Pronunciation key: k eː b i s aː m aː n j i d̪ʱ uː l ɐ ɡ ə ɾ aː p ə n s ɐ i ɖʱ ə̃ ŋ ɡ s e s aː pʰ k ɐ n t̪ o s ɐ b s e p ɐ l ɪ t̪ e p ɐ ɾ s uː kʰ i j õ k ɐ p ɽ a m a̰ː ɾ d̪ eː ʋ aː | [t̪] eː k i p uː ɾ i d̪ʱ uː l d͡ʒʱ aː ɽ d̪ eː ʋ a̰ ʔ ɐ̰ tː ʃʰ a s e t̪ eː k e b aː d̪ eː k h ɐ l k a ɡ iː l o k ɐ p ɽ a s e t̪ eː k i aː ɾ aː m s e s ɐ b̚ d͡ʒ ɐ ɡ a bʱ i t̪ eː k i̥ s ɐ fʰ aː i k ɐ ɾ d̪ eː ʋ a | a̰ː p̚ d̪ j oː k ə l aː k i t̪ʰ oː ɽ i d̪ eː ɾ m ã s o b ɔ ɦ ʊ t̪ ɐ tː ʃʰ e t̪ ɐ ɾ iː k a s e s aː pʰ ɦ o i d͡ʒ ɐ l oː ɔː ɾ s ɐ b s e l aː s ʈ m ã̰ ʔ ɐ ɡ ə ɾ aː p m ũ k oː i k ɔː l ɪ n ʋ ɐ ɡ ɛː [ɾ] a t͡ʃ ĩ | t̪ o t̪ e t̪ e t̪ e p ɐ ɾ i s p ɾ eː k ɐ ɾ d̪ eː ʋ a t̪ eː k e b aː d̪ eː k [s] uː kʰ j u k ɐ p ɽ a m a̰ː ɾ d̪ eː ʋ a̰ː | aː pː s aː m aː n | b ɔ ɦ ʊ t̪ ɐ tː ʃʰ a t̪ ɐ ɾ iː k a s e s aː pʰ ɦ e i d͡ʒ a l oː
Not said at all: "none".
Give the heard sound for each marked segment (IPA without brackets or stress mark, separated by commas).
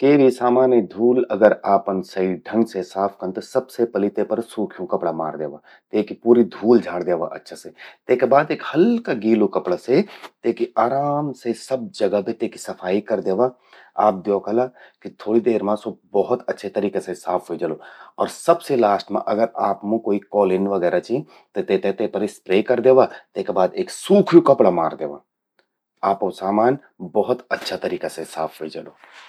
t̪, ɾ, s